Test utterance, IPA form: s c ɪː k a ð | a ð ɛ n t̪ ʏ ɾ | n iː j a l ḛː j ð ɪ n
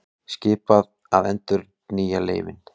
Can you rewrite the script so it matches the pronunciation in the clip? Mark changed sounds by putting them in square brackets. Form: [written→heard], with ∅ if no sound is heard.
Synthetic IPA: s c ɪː [k→p] a ð | a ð ɛ n t̪ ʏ ɾ | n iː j a l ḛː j [ð→v] ɪ n